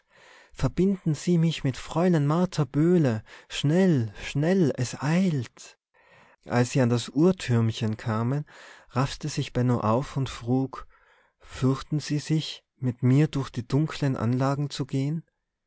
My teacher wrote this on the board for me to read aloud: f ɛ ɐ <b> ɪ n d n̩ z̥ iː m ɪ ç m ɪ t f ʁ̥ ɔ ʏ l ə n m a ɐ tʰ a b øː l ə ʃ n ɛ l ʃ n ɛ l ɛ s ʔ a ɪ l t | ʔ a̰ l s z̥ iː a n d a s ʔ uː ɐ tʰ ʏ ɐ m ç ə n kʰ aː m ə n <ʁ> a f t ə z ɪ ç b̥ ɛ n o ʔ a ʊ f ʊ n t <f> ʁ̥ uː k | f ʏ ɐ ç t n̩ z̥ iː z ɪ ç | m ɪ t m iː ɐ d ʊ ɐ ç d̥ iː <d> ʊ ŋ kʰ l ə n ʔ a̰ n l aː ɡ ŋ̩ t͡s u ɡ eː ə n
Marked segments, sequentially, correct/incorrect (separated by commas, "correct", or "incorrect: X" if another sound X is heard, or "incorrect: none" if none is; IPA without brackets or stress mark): correct, correct, correct, correct